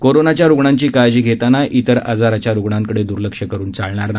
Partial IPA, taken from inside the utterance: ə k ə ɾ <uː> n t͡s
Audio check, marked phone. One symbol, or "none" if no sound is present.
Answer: uː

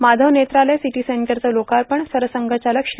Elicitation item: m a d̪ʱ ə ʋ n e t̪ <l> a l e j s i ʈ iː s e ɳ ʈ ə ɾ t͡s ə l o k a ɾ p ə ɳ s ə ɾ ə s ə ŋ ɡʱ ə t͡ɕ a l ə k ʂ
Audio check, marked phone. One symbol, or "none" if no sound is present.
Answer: ɾ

